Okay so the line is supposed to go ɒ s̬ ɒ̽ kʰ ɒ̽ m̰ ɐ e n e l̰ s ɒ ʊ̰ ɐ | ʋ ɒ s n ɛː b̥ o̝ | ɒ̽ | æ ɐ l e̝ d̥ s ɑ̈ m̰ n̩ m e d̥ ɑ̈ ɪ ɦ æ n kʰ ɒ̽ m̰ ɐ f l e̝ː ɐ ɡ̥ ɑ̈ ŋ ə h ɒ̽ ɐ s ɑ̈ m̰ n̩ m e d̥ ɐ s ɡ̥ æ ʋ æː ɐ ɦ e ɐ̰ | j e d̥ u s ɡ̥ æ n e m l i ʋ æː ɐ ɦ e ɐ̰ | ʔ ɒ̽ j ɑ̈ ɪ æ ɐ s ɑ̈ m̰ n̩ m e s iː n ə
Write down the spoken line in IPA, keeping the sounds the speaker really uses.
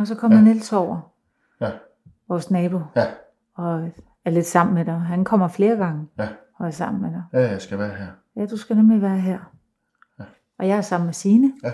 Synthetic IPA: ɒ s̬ ɒ̽ kʰ ɒ̽ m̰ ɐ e n e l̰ s ɒ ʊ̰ ɐ | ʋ ɒ s n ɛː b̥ o̝ | ɒ̽ | æ ɐ l e̝ d̥ s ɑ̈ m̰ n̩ m e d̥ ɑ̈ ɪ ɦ æ n kʰ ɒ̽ m̰ ɐ f l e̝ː ɐ ɡ̥ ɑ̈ ŋ ə h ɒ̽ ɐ s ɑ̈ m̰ n̩ m e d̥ ɑ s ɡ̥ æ ʋ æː ɐ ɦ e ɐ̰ | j æ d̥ u s ɡ̥ æ n e m l i ʋ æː ɐ ɦ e ɐ̰ | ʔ ɒ̽ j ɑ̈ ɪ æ ɐ s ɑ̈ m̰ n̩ m e s iː n ə